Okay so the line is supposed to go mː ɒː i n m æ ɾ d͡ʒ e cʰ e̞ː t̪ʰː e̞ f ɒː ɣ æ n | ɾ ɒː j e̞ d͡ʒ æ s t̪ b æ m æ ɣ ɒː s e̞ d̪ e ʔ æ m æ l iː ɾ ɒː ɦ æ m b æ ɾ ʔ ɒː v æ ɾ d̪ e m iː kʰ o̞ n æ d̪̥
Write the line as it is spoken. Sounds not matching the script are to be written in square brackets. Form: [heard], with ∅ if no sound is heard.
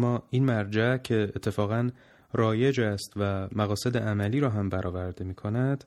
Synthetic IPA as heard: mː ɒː i n m æ ɾ d͡ʒ [æ] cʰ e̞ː t̪ʰː e̞ f ɒː ɣ æ n | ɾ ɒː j e̞ d͡ʒ æ s t̪ [v] æ m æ ɣ ɒː s e̞ d̪ e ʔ æ m æ l iː ɾ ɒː ɦ æ m b æ ɾ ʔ ɒː v æ ɾ d̪ e m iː kʰ o̞ n æ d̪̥